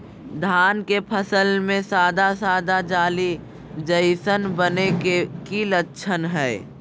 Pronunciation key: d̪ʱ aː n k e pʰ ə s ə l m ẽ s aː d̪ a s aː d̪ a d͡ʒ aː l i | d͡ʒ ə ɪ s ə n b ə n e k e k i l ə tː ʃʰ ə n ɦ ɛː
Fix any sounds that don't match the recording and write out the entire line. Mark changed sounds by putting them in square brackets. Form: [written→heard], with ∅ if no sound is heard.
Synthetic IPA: d̪ʱ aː n k e pʰ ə s ə l m ẽ s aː d̪ a s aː d̪ a d͡ʒ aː l i | d͡ʒ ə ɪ s ə n b ə n e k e k i l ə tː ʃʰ ə n ɦ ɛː